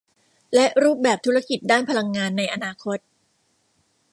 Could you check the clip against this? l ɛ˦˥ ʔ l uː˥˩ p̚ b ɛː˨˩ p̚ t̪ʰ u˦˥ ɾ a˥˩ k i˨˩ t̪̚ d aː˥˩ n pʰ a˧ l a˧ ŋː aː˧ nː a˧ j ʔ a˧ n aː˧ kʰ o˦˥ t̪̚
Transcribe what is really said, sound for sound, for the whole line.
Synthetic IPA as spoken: l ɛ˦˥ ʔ ɾ uː˥˩ p̚ b ɛː˨˩ p̚ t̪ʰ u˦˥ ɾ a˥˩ k i˨˩ t̪̚ d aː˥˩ n pʰ a˧ l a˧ ŋː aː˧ nː a˧ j ʔ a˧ n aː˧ kʰ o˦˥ t̪̚